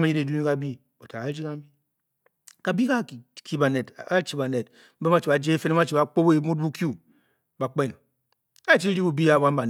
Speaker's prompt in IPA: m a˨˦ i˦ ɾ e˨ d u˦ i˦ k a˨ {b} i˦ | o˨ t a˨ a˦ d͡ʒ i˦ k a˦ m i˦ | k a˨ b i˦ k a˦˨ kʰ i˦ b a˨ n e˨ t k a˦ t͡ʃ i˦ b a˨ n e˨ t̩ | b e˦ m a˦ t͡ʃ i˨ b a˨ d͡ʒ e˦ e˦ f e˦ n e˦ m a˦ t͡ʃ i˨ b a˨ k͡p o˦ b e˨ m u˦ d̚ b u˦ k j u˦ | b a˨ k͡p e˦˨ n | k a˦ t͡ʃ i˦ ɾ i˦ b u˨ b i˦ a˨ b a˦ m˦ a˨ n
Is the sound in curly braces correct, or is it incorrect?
correct